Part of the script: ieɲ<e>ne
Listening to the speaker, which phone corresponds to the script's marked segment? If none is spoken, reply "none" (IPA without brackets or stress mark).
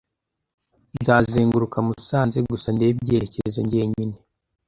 i